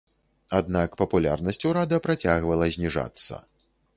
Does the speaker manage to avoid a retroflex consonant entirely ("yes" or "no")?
no